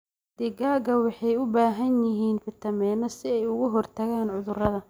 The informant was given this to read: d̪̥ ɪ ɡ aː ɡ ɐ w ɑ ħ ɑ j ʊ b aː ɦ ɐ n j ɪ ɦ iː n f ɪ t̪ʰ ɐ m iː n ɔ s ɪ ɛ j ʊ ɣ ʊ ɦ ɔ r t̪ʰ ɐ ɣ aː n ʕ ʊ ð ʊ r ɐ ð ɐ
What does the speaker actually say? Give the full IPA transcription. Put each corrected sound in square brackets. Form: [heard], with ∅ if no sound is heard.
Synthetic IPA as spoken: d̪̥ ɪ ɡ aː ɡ ɐ w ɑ ħ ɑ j ʊ b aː ɦ ɐ n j ɪ ɦ iː n f ɪ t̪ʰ ɐ m [ɛː] n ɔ s ɪ ɛ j ʊ ɣ ʊ ɦ ɔ r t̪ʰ ɐ ɣ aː n ʕ ʊ ð ʊ r ɐ ð ɐ